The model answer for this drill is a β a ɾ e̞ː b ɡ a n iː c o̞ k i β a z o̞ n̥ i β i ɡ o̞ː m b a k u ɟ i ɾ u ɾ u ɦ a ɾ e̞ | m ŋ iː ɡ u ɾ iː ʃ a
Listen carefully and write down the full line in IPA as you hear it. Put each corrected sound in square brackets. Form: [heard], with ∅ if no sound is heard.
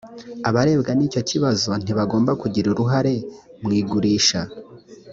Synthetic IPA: a β a ɾ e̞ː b ɡ a n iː c o̞ [c] i β a z o̞ n̥ i β [a] ɡ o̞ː m b a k u ɟ i ɾ u ɾ u ɦ a ɾ e̞ | m ŋ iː ɡ u ɾ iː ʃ a